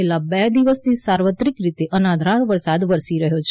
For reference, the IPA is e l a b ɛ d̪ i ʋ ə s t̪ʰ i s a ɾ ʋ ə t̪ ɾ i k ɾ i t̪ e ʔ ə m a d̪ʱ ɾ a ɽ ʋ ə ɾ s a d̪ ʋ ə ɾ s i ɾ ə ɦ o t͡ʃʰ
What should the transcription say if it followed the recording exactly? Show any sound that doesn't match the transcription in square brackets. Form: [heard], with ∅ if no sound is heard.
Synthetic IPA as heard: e l a b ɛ d̪ i ʋ ə s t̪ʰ i s a ɾ ʋ ə t̪ ɾ i k ɾ i t̪ e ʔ ə [n] a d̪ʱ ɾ a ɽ ʋ ə ɾ s a d̪ ʋ ə ɾ s i ɾ ə ɦ o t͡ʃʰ